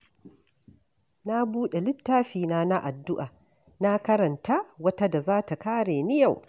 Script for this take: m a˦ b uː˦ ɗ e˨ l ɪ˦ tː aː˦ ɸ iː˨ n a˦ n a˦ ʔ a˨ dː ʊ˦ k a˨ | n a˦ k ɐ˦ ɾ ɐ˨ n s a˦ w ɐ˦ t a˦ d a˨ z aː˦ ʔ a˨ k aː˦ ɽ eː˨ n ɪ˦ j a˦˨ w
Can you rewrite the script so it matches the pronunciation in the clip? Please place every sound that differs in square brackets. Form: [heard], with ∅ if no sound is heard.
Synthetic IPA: [n] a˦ b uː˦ ɗ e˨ l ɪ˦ tː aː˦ ɸ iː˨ n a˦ n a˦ ʔ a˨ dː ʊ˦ [ʔ] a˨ | n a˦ k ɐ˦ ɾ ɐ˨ n [t] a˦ w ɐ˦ t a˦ d a˨ z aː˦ [t] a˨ k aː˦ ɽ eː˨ n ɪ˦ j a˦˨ w